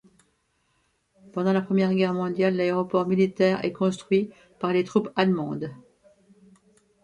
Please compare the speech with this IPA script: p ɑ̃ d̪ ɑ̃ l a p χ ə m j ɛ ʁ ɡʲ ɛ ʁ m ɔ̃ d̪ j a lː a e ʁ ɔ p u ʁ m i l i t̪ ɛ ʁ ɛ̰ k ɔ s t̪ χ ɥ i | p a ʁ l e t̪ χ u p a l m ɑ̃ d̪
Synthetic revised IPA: p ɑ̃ d̪ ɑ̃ l a p χ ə m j ɛ ʁ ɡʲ ɛ ʁ m ɔ̃ d̪ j a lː a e ʁ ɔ p ɔ ʁ m i l i t̪ ɛ ʁ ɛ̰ k ɔ̃ s t̪ χ ɥ i | p a ʁ l e t̪ χ u p a l m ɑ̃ d̪